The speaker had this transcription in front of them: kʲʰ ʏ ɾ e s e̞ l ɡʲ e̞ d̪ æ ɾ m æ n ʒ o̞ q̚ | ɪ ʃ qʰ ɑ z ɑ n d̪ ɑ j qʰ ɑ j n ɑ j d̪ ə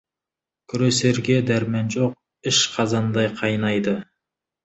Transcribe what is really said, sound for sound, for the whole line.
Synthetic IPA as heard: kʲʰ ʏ ɾ e s e̞ ɾ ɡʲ e̞ d̪ æ ɾ m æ n ʒ o̞ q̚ | ɪ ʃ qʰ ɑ z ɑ n d̪ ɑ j qʰ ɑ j n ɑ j d̪ ə